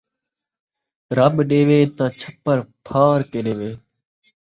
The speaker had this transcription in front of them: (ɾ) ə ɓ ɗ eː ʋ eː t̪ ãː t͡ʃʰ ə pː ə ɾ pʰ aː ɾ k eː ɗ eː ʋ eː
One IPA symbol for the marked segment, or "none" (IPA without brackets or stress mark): ɾ